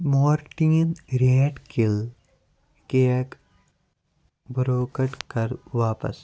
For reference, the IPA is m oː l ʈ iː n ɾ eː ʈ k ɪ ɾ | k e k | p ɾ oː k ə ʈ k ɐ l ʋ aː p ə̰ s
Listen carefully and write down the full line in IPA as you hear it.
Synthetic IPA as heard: m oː ɾ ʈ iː n ɾ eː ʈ k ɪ l | k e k | b ɾ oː k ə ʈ k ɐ ɾ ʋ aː p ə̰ s